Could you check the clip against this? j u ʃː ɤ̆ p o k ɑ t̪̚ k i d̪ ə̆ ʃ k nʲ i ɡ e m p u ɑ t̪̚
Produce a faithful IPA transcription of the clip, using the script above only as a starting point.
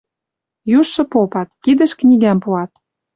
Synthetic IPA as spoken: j u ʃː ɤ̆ p o p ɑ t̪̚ k i d̪ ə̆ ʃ k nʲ i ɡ æ m p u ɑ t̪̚